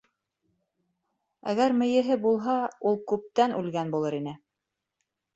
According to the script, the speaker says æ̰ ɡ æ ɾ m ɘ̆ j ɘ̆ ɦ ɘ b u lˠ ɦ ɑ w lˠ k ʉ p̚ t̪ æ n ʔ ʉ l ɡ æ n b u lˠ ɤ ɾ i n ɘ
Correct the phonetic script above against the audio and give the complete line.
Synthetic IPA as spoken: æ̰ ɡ æ ɾ m ɘ̆ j ɘ̆ ɦ ɘ b u lˠ ɦ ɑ u lˠ k ʉ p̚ t̪ æ n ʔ ʉ l ɡ æ n b u lˠ ɤ ɾ i n ɘ

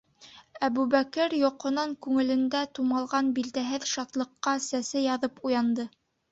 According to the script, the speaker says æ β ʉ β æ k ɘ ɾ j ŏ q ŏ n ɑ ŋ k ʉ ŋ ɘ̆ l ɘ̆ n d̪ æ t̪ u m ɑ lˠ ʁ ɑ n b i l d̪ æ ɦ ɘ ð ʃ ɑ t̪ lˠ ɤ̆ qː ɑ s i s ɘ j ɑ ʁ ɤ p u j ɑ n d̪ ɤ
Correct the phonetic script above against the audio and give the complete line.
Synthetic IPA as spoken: æ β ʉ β æ k ɘ ɾ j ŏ q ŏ n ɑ ŋ k ʉ ŋ ɘ̆ l ɘ̆ n d̪ æ t̪ u m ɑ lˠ ʁ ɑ n b i l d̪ æ ɦ ɘ ð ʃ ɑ t̪ lˠ ɤ̆ qː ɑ s æ s ɘ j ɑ ð ɤ p u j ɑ n d̪ ɤ

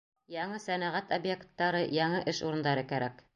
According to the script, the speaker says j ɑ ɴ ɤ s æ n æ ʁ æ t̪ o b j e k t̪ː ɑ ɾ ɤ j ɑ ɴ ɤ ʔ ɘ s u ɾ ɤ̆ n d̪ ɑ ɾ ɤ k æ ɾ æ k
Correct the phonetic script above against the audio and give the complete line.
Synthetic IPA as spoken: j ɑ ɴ ɤ s æ n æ ʁ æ t̪ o b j e k t̪ː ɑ ɾ ɤ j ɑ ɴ ɤ ʔ ɘ ʃ u ɾ ɤ̆ n d̪ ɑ ɾ ɤ k æ ɾ æ k

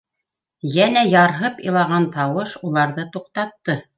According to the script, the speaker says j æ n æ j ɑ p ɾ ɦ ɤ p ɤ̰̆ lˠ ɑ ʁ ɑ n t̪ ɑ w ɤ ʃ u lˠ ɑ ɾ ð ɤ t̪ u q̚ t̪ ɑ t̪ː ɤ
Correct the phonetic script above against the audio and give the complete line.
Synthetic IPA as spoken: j æ n æ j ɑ ɾ ɦ ɤ p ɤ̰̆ lˠ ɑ ʁ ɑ n t̪ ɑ w ɤ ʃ u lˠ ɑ ɾ ð ɤ t̪ u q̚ t̪ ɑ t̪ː ɤ

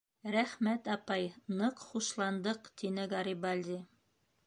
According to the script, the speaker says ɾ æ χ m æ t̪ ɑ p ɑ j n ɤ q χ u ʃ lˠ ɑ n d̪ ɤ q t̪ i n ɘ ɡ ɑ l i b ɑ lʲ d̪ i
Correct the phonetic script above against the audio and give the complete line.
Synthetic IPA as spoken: ɾ æ χ m æ t̪ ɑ p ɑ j n ɤ q χ u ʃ lˠ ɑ n d̪ ɤ q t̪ i n ɘ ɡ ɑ ɾ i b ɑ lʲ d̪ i

